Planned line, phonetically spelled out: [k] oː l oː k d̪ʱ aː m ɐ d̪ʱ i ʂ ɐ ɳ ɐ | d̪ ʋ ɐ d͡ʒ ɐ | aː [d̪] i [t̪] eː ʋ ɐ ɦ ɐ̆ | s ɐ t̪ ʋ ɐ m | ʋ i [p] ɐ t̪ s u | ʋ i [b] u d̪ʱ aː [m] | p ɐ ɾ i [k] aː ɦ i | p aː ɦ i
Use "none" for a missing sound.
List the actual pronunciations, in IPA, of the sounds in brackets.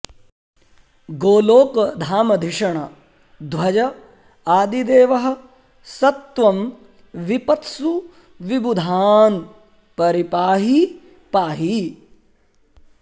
ɡ, d̪, d̪, p, b, n, p

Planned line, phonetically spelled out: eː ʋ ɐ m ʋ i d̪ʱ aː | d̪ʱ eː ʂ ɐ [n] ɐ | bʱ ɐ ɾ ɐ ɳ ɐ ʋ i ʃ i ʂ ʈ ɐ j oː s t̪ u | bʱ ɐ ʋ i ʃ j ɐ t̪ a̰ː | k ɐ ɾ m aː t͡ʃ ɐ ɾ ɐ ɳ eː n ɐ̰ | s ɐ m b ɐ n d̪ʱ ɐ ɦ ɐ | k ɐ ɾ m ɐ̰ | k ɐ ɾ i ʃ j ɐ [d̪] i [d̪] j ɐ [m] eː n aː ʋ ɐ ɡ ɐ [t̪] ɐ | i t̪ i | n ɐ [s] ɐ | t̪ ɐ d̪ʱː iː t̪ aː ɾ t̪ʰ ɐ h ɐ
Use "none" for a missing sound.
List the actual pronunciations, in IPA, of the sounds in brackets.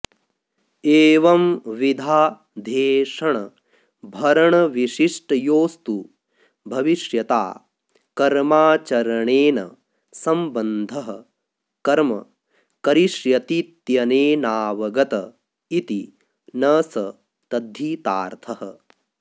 ɳ, t̪, t̪, n, t̪, s

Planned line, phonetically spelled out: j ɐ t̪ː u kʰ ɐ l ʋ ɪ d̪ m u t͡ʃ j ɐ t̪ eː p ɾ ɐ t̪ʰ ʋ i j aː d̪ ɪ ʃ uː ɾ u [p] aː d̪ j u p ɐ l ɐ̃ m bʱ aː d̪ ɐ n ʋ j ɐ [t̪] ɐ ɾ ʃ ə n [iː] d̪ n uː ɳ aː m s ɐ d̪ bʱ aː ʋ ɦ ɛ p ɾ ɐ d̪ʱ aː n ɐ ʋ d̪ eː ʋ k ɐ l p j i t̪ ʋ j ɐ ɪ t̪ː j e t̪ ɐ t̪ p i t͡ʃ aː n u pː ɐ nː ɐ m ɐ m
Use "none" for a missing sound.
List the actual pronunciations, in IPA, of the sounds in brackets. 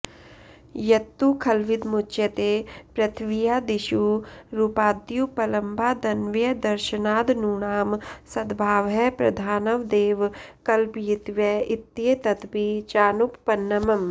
p, d̪, aː

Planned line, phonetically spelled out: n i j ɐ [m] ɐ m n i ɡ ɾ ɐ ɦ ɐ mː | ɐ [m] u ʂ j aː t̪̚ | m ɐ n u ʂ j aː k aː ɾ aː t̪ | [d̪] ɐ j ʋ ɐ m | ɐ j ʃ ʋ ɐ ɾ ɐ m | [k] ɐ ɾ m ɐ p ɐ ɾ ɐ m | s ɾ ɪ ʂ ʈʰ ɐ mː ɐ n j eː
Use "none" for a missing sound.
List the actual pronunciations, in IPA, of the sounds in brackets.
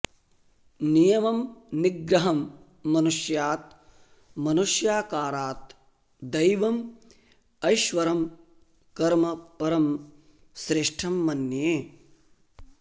m, n, d̪, k

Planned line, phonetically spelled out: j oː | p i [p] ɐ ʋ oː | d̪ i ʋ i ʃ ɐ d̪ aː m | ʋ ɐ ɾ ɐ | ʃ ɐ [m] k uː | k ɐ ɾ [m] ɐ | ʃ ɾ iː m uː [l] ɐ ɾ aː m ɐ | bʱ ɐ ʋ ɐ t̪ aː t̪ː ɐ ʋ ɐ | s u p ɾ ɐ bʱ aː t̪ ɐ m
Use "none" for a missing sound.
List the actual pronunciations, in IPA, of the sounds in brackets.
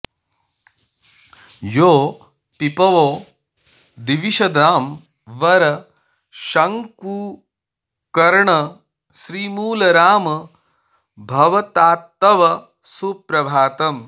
p, ŋ, ɳ, l

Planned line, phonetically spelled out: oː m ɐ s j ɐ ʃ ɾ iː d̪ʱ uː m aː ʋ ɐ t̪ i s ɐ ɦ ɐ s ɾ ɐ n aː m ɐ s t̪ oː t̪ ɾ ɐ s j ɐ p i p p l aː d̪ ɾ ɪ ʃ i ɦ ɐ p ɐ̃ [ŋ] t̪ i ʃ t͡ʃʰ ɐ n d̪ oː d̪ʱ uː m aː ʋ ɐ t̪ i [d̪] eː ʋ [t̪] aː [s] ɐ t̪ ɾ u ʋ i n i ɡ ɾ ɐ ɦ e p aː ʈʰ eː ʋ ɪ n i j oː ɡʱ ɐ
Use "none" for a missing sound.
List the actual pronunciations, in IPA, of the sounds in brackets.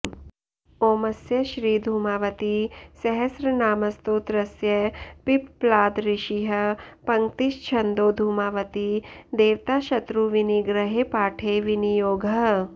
ŋ, d̪, t̪, ʃ

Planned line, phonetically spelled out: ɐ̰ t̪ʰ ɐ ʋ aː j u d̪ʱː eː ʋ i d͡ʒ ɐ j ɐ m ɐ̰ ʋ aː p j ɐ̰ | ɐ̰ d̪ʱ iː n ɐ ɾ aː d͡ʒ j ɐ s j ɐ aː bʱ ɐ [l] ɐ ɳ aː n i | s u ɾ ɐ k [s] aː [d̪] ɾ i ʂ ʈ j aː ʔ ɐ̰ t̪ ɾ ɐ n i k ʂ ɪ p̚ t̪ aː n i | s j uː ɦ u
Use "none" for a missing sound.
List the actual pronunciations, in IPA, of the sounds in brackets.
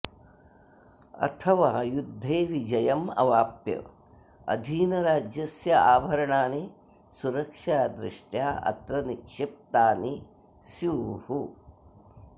ɾ, ʂ, d̪

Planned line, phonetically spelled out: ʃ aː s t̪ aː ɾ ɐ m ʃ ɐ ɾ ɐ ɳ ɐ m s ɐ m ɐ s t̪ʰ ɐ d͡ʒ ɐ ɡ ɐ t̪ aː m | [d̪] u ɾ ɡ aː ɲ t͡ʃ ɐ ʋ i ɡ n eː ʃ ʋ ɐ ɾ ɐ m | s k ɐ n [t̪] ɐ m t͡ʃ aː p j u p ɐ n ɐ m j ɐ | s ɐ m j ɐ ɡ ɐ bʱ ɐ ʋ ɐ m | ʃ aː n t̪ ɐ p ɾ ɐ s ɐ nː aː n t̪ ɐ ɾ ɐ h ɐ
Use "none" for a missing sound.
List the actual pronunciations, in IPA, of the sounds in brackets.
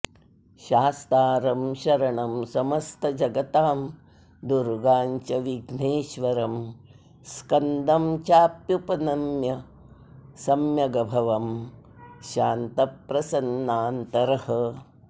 d̪, d̪

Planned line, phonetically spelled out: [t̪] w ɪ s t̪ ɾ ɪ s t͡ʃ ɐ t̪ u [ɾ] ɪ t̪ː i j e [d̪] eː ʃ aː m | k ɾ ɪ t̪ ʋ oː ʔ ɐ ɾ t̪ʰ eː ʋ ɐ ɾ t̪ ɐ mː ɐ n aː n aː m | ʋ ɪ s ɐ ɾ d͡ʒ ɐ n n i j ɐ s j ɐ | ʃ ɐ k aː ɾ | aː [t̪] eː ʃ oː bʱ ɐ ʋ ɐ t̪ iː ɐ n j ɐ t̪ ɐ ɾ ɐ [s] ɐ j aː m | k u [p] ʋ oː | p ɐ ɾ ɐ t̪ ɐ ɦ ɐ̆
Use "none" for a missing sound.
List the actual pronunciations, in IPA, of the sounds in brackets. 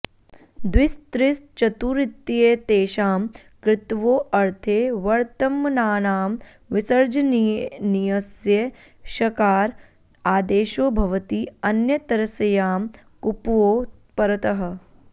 d̪, ɾ, t̪, d̪, s, p

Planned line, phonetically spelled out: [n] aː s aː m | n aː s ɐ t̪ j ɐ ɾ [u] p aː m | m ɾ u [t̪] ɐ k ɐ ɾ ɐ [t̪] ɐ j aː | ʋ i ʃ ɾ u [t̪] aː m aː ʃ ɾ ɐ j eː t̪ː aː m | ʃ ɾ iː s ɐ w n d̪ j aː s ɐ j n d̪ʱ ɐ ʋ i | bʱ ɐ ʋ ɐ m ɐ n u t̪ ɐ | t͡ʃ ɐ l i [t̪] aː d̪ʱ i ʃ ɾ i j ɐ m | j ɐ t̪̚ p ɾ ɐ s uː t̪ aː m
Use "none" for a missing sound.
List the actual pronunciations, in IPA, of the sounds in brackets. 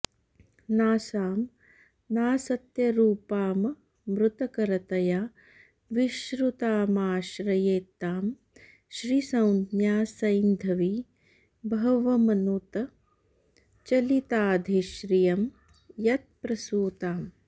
n, uː, t̪, t̪, t̪, t̪

